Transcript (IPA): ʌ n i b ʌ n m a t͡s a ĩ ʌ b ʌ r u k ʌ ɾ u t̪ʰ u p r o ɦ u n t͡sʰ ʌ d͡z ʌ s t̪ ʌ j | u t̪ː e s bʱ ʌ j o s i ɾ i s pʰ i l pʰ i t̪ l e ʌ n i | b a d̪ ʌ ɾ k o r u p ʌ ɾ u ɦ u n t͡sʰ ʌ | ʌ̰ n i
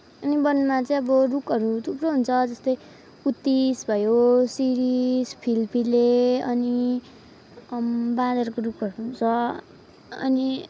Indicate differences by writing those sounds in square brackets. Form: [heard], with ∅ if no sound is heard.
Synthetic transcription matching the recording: ʌ n i b ʌ n m a t͡s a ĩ ʌ b ʌ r u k ʌ ɾ u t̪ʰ u p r o ɦ u n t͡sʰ ʌ d͡z ʌ s t̪ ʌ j | u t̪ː [i] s bʱ ʌ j o s i ɾ i s pʰ i l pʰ i [∅] l e ʌ n i | b a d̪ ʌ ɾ k o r u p ʌ ɾ u ɦ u n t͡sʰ ʌ | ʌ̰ n i